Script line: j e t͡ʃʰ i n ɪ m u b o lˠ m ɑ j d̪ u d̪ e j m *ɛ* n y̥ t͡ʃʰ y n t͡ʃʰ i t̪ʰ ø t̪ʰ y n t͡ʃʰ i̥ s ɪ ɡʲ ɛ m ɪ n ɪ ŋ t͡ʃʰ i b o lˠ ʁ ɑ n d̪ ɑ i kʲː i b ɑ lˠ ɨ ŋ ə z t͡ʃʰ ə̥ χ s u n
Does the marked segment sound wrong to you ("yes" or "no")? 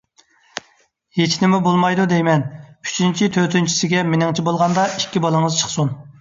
no